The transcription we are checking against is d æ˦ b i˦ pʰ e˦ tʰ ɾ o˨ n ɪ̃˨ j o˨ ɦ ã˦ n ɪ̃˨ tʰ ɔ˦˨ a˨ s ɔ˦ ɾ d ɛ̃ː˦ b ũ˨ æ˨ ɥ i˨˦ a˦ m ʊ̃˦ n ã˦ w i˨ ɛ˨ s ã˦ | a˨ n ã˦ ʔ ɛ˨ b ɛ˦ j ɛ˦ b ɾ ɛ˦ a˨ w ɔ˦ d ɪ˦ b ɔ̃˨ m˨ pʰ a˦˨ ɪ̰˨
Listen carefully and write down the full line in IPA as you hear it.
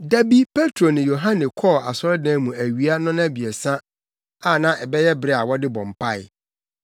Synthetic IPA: d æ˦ b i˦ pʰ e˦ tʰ ɾ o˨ n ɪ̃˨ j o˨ ɦ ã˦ n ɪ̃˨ kʰ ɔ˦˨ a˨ s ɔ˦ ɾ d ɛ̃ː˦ m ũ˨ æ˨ ɥ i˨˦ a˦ n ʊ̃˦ n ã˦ b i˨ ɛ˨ s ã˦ | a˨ n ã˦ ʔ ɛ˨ b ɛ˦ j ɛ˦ b ɾ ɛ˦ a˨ w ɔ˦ d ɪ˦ b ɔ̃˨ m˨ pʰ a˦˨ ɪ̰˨